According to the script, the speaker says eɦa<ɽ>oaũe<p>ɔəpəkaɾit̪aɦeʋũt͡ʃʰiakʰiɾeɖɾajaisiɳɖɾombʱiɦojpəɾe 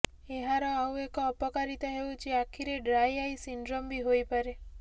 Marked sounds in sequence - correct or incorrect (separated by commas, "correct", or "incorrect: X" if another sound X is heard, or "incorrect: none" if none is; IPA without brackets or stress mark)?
incorrect: ɾ, incorrect: k